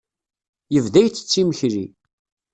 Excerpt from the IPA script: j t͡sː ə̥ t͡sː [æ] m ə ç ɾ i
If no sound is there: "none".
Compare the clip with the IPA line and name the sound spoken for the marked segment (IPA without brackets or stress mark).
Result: i